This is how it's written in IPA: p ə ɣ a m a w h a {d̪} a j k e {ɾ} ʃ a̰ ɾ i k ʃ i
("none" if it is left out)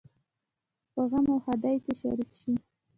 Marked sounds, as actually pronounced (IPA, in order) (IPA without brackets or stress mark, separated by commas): d̪, none